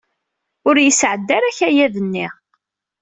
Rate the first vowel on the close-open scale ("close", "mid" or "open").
close